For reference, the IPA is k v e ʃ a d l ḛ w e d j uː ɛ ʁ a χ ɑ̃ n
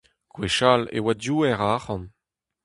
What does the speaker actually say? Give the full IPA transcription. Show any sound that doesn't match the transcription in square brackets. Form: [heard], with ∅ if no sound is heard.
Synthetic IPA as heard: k [w] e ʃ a [∅] l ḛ w [a] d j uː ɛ ʁ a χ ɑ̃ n